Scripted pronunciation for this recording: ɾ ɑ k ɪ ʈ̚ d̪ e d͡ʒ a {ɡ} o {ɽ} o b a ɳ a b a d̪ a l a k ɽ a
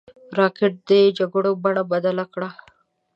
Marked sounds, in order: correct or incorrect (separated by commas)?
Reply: correct, correct